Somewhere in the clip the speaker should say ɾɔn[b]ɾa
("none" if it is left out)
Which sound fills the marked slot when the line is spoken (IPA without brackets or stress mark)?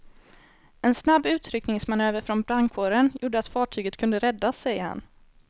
b